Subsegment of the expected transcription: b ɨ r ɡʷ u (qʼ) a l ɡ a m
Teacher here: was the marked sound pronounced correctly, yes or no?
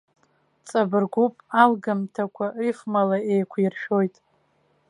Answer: no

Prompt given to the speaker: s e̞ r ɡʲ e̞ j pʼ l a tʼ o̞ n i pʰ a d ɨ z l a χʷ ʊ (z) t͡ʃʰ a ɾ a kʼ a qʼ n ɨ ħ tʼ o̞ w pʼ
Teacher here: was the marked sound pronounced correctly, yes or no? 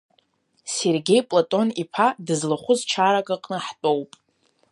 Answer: yes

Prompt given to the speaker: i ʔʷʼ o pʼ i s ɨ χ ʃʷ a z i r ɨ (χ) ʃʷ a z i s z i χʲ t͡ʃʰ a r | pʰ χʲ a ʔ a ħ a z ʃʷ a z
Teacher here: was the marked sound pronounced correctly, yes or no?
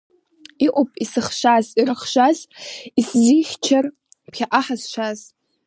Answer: yes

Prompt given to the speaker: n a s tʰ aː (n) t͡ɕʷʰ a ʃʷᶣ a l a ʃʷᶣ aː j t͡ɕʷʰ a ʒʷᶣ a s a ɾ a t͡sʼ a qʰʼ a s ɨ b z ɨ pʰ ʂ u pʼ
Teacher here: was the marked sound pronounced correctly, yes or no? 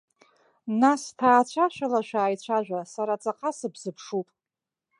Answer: no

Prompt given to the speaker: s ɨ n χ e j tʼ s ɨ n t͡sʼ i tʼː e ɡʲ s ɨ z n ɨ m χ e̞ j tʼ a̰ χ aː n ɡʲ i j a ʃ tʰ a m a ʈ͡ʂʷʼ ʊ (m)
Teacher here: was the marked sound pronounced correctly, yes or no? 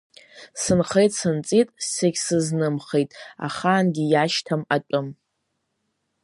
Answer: yes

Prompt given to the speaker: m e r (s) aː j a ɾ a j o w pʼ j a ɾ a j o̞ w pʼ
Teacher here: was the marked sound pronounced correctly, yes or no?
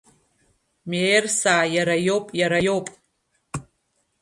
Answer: yes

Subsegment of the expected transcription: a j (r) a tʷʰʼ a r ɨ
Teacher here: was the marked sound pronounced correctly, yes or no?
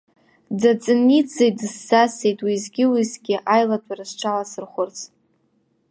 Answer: no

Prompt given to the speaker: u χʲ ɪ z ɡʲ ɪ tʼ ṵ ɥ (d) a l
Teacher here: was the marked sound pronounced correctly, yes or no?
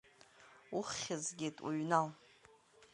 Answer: no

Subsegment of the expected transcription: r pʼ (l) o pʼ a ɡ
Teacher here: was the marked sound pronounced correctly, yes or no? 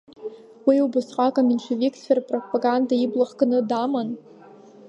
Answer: no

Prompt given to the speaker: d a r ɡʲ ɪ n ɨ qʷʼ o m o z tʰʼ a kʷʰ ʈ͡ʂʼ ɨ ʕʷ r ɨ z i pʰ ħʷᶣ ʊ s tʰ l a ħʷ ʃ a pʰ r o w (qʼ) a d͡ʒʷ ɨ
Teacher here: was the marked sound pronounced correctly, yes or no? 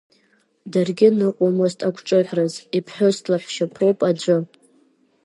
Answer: no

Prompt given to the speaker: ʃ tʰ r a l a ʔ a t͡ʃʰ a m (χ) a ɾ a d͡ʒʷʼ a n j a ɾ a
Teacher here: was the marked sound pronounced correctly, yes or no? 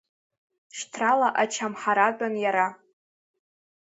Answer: no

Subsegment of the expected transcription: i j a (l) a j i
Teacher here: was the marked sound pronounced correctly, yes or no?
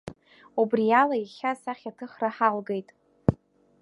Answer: yes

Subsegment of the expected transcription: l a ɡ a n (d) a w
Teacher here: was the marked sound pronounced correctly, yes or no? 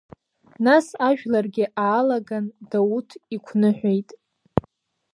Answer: yes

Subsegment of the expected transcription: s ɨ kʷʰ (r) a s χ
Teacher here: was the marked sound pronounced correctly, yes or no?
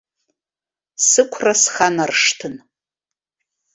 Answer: yes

